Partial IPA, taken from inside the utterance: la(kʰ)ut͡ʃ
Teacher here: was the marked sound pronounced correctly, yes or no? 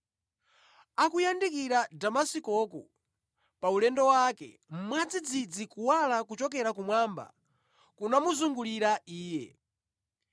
no